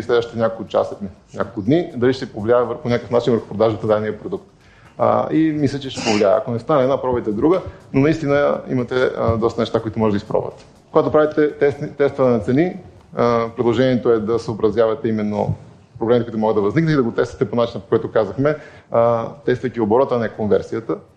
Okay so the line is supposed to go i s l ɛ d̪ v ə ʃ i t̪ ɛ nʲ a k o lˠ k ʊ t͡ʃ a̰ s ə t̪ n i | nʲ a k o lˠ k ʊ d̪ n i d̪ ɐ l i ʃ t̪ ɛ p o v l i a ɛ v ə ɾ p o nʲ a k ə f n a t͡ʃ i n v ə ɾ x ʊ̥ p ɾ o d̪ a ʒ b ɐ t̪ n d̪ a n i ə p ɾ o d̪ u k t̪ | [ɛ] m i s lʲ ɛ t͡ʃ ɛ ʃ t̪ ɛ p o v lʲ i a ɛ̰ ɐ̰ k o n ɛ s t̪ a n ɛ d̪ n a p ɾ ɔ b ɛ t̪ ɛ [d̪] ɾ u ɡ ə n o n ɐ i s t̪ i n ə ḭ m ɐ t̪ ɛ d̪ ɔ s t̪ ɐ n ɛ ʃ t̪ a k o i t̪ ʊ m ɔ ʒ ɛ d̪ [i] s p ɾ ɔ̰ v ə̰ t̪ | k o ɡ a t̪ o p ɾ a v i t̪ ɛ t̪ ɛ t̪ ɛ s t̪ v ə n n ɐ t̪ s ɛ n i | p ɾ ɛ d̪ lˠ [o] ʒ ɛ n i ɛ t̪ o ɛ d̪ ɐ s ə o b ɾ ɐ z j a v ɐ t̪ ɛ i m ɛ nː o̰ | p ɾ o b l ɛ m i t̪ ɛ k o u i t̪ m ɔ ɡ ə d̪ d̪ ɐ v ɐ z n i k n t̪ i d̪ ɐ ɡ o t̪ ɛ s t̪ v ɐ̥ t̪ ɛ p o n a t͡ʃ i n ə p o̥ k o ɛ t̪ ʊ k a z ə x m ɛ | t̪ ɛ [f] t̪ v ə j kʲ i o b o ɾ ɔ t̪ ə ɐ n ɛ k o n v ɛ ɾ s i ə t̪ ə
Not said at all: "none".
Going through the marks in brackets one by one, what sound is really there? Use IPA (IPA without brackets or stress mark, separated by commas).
i, d̪, i, o, s